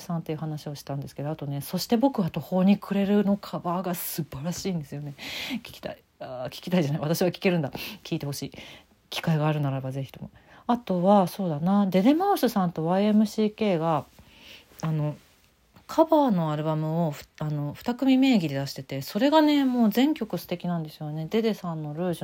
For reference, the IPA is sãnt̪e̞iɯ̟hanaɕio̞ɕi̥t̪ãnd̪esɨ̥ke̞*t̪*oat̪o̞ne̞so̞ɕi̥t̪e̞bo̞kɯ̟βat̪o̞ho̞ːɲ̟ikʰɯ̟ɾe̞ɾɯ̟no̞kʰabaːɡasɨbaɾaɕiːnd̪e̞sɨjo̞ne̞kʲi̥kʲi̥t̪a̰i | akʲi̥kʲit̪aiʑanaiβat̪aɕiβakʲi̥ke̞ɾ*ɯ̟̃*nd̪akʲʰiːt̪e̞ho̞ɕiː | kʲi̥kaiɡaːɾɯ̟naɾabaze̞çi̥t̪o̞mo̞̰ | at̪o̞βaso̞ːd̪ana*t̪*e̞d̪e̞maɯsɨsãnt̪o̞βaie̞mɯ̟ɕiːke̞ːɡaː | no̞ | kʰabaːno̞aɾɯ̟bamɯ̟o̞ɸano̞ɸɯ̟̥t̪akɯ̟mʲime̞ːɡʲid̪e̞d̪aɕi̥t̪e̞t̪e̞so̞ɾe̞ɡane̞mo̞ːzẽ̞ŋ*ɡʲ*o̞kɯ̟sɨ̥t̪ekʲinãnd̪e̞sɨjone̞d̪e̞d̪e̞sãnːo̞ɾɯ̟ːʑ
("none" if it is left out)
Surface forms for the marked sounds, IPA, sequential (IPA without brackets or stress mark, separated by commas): d̪, ɯ̟, d̪, kʲ